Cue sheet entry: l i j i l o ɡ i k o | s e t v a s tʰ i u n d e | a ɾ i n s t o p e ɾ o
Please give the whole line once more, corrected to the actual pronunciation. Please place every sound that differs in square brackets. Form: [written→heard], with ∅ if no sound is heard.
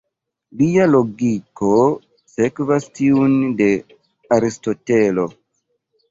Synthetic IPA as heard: l i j [i→a] l o ɡ i k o | s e [t→k] v a s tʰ i u n d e | a ɾ i [n→∅] s t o [p→t] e [ɾ→l] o